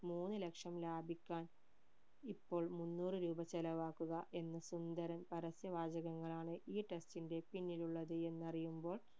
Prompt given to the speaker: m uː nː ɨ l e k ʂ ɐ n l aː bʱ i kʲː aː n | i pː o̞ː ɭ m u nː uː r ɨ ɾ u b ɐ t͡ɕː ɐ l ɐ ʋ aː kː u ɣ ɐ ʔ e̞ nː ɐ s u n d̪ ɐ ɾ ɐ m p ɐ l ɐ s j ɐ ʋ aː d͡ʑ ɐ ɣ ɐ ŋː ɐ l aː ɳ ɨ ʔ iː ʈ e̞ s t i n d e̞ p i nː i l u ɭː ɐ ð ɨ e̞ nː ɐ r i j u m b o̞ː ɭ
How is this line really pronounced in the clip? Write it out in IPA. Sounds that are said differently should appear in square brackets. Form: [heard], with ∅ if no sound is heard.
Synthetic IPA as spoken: m uː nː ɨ l e k ʂ ɐ [m] l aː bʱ i kʲː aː n | i pː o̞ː ɭ m u nː uː r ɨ ɾ [uː] b ɐ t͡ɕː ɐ l ɐ ʋ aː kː u ɣ ɐ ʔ e̞ nː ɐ s u n d̪ ɐ ɾ ɐ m p ɐ [ɾ] ɐ s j ɐ ʋ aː d͡ʑ ɐ ɣ ɐ ŋː ɐ [ɭ] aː ɳ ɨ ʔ iː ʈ e̞ s t i n d e̞ p i nː i l u ɭː ɐ ð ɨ e̞ nː ɐ r i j u m b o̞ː ɭ